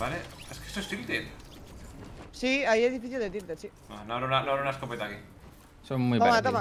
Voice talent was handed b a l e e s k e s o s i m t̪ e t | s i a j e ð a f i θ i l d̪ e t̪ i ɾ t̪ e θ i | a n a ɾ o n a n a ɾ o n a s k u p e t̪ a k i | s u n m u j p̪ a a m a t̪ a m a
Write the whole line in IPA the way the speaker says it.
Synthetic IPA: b a l e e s k e s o s i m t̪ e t | s i a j e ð i f i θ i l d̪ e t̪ i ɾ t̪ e s i | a n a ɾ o n a n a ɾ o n a s k o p e t̪ a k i | s o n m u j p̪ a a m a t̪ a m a